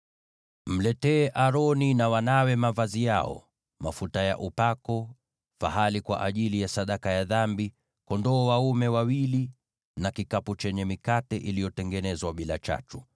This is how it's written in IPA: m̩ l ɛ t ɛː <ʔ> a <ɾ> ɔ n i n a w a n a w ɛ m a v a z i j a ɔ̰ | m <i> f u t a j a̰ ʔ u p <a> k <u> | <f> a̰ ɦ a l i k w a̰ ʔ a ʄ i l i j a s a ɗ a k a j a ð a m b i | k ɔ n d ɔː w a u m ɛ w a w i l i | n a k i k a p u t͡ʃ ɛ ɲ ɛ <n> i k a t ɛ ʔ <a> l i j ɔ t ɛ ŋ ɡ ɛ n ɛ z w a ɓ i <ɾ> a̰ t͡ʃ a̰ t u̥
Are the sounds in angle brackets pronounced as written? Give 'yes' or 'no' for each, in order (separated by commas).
yes, yes, no, yes, no, yes, no, no, no